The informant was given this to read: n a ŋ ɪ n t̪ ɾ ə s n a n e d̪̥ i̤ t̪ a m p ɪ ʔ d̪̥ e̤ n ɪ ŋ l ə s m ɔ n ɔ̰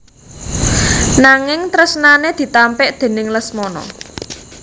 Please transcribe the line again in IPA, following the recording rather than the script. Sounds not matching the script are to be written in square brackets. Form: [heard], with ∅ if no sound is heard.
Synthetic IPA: n a ŋ ɪ [ŋ] t̪ ɾ ə s n a n e d̪̥ i̤ t̪ a m p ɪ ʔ d̪̥ e̤ n ɪ ŋ l ə s m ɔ n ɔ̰